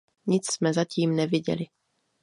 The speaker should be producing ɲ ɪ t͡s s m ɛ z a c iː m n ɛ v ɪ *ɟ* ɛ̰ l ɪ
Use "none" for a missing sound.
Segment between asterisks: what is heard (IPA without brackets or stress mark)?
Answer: ɟ